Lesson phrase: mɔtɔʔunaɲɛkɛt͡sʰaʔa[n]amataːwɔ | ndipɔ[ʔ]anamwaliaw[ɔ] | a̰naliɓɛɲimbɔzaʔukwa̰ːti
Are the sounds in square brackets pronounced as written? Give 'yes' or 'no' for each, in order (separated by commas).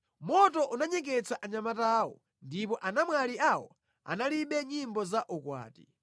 no, yes, yes